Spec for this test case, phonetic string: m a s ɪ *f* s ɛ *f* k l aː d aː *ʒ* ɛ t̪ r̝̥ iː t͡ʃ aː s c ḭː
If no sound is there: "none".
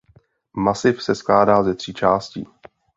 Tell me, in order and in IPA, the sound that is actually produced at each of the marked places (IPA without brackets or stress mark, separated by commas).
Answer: f, s, z